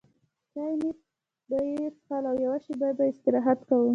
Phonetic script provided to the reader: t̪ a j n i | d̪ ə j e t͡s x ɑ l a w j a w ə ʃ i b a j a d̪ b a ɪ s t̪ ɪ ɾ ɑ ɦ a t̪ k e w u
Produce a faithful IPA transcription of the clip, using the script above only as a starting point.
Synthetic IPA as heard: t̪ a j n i | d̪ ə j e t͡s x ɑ l a w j a w a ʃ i b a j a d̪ b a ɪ s t̪ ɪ ɾ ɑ ɦ a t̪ k a w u